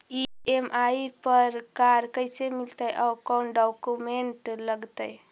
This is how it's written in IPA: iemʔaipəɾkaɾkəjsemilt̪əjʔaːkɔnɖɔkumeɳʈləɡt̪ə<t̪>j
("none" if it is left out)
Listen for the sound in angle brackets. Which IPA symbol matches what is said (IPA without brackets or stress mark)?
none